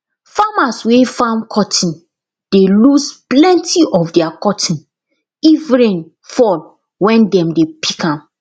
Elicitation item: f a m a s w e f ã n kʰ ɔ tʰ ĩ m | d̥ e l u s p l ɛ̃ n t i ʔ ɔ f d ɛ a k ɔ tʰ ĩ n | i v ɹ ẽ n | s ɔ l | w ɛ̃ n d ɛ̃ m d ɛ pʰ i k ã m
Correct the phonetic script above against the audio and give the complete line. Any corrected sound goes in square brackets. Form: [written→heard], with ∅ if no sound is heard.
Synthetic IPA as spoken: f a m a s w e f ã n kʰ ɔ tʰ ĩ [m→n] | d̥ e l u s p l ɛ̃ n t i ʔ ɔ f d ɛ a k ɔ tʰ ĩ n | i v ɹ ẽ n | [s→f] ɔ l | w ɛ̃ n d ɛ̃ m d [ɛ→e] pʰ i k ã m